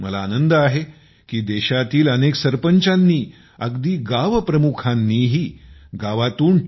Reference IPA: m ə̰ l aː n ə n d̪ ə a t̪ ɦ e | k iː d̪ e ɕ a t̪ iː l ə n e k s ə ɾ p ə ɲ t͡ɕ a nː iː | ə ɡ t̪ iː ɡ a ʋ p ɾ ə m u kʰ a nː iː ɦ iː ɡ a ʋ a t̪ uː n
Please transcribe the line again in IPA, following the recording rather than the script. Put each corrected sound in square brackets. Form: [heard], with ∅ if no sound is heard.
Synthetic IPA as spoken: m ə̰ l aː n ə n d̪ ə a [∅] ɦ e | k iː d̪ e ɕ a t̪ iː l ə n e k s ə ɾ p ə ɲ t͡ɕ a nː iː | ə ɡ [d̪] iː ɡ a ʋ p ɾ ə m u kʰ a nː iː ɦ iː ɡ a ʋ a t̪ uː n